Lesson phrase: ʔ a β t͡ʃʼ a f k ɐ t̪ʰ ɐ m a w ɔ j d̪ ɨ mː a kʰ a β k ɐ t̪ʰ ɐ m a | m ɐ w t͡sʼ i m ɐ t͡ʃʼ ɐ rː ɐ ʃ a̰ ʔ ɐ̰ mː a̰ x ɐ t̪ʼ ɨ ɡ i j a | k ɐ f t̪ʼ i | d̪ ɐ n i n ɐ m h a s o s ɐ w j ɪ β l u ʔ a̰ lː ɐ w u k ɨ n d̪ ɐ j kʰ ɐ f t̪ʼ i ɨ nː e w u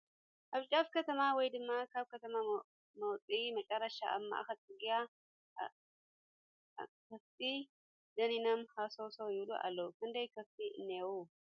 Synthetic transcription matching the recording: ʔ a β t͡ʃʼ a f k ɐ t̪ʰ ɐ m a w ɔ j d̪ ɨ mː a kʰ a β k ɐ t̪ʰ ɐ m a | m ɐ w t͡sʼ i m ɐ t͡ʃʼ ɐ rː ɐ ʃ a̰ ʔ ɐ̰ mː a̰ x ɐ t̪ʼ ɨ ɡ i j a | k ɐ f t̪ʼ i | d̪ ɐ n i n ɐ m h a s o s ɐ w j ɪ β l u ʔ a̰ lː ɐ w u k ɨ n d̪ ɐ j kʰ ɐ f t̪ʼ i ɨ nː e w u